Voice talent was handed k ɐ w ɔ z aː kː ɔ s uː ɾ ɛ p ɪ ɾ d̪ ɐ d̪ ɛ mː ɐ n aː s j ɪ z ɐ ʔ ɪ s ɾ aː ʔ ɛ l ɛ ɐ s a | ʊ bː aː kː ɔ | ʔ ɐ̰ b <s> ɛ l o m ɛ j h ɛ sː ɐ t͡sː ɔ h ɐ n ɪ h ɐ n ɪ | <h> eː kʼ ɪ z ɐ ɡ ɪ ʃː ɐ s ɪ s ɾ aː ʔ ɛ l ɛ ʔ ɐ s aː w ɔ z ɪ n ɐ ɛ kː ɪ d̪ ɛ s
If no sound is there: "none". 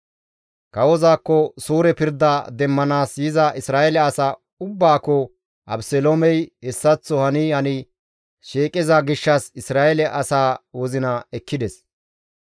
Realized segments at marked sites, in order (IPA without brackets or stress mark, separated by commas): s, ʃ